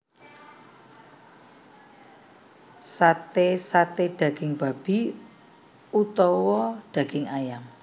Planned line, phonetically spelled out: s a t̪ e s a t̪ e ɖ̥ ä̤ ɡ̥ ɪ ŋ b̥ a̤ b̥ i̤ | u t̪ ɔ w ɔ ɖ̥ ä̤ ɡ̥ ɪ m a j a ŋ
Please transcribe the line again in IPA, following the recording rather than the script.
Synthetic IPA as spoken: s a t̪ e s a t̪ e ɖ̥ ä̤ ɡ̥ ɪ ŋ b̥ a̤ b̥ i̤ | u t̪ ɔ w ɔ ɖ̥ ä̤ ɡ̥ ɪ ŋ a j a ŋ

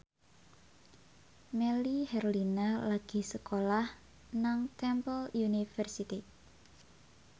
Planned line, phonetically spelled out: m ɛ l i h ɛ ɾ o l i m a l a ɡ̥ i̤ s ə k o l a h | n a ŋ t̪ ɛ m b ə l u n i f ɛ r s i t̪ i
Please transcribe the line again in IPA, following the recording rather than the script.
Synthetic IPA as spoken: m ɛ l i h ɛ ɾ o l i n a l a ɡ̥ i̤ s ə k o l a h | n a ŋ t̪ ɛ m p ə l u n i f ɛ r s i t̪ i

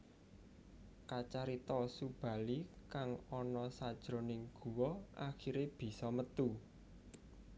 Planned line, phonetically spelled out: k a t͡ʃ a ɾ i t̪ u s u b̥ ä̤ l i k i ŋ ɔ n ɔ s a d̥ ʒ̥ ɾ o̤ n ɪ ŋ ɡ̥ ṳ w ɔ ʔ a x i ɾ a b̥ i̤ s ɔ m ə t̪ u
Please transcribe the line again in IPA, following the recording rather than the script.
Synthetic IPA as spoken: k a t͡ʃ a ɾ i t̪ ɔ s u b̥ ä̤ l i k a ŋ ɔ n ɔ s a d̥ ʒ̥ ɾ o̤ n ɪ ŋ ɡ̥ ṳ w ɔ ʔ a x i ɾ e b̥ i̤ s ɔ m ə t̪ u

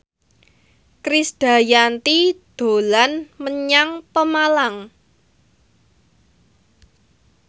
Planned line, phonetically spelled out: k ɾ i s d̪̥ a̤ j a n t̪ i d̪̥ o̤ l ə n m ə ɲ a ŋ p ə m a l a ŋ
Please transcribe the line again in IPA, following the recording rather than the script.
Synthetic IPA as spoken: k ɾ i s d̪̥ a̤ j a n t̪ i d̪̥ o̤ l a n m ə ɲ a ŋ p ə m a l a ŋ

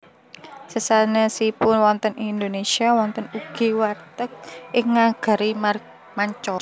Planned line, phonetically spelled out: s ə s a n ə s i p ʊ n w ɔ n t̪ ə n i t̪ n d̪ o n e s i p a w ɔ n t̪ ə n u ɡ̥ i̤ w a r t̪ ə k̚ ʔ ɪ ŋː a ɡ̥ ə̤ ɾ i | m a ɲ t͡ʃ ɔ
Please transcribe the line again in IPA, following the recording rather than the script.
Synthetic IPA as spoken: s ə s a n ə s i p ʊ n w ɔ n t̪ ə n i n d̪ o n e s i a w ɔ n t̪ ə n u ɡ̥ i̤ w a r t̪ ə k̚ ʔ ɪ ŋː a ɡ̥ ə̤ ɾ i | m a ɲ t͡ʃ ɔ

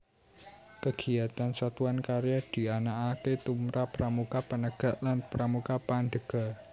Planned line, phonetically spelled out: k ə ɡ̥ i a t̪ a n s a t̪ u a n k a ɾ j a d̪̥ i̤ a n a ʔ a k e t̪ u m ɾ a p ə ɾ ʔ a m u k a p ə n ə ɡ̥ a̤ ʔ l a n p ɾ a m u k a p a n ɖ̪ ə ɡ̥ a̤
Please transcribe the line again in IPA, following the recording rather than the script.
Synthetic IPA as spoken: k ə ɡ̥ i a t̪ a n s a t̪ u a n k a ɾ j a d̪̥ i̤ a n a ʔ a k e t̪ u m ɾ a p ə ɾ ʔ a m u k a p ə n ə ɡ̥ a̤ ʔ l a n p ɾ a m u k a p a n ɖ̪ ə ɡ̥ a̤

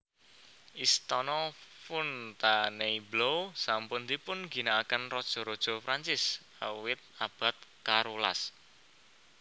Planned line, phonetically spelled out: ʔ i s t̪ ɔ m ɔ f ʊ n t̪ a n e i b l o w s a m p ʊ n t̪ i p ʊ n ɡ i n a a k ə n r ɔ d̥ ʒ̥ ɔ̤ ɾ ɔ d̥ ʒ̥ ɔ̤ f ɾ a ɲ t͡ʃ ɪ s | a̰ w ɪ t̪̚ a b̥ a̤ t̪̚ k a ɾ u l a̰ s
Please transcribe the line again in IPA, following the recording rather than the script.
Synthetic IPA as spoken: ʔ i s t̪ ɔ n ɔ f ʊ n t̪ a n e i b l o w s a m p ʊ n t̪ i p ʊ n ɡ i n a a k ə n r ɔ d̥ ʒ̥ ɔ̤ ɾ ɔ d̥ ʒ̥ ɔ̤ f ɾ a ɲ t͡ʃ ɪ s | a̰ w ɪ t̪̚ a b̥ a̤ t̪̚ k a ɾ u l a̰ s

